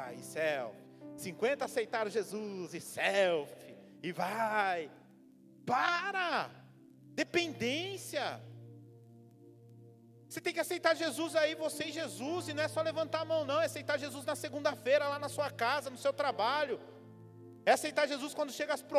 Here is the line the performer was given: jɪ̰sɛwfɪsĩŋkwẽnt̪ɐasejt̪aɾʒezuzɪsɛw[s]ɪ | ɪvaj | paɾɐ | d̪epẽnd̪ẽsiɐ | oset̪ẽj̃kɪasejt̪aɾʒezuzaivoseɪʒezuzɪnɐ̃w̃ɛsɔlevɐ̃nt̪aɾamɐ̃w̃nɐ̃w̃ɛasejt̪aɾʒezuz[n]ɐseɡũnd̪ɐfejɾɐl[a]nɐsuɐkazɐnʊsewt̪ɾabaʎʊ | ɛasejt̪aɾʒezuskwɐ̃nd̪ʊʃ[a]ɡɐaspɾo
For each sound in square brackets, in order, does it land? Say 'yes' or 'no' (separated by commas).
no, yes, yes, no